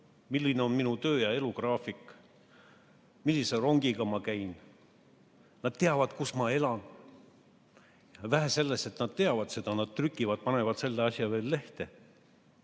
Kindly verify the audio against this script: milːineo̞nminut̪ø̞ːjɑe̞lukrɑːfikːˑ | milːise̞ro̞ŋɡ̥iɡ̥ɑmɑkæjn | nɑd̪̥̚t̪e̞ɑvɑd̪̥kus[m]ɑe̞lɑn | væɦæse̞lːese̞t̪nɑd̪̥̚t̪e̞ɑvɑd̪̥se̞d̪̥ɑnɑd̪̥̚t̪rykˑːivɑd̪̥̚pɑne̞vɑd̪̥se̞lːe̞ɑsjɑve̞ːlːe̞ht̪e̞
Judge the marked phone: correct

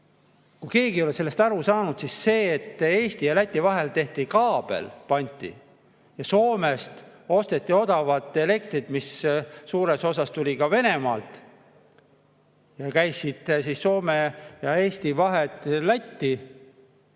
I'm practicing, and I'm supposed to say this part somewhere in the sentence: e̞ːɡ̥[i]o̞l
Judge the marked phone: correct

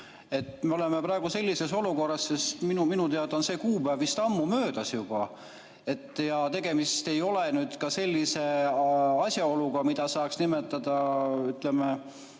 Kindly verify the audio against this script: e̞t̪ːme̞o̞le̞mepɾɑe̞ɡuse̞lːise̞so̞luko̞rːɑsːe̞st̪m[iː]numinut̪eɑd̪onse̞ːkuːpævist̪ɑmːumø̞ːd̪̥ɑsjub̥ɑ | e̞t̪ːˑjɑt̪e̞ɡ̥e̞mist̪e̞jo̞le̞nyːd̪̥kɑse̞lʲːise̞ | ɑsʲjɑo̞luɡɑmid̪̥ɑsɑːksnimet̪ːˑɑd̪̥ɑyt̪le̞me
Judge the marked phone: incorrect: i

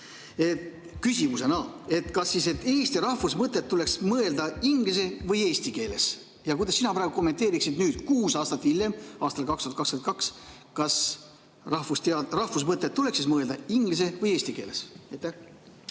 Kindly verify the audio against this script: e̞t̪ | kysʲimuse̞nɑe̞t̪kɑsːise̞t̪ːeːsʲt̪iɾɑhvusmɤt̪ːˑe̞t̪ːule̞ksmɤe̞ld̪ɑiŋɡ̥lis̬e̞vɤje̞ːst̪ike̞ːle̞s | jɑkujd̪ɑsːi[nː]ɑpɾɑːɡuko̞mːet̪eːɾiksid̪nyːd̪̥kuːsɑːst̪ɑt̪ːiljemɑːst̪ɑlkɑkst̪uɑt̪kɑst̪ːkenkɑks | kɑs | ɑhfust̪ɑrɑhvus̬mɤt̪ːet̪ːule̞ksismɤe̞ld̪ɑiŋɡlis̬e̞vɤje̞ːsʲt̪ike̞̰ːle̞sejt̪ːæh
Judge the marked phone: incorrect: n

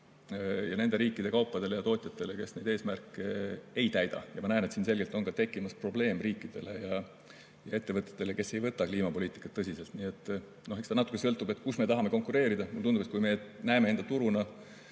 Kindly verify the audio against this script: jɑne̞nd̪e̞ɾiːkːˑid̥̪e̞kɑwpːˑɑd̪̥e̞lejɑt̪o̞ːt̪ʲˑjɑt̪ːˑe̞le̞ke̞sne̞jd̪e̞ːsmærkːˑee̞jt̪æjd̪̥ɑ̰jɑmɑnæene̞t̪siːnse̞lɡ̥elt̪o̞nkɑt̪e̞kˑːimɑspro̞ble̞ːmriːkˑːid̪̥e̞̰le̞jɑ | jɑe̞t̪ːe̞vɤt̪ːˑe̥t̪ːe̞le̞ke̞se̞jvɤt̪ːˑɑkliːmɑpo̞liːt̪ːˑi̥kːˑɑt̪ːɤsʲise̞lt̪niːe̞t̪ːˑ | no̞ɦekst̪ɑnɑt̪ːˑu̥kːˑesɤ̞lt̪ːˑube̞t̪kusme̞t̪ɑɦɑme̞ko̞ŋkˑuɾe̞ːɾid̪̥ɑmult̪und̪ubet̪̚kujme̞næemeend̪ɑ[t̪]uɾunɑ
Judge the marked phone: correct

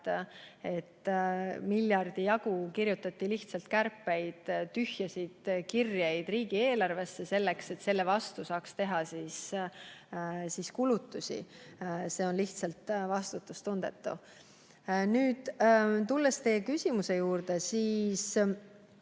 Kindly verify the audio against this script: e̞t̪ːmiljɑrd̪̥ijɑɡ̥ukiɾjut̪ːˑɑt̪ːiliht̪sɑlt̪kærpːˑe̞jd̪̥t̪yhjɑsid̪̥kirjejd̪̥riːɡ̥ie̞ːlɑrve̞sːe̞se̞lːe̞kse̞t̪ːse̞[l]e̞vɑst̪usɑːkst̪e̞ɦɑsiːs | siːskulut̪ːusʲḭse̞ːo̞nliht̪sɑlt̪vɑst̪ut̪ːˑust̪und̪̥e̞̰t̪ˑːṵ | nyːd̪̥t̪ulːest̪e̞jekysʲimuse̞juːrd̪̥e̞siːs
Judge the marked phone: incorrect: lː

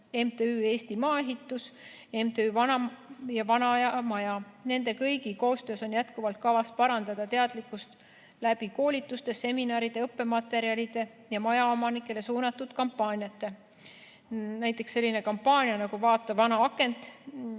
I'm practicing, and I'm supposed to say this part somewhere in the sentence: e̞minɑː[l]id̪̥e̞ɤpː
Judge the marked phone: incorrect: ɾ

